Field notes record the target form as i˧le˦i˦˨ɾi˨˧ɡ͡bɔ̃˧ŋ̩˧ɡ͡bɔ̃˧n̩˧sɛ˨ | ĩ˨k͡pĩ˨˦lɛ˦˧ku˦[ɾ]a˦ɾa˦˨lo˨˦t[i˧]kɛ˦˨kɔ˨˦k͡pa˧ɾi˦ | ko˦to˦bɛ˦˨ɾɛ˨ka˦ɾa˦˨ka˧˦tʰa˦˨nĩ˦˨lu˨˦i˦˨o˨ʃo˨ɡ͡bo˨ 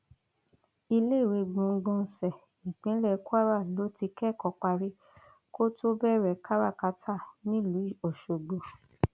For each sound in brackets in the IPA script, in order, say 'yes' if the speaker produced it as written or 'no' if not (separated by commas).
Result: no, yes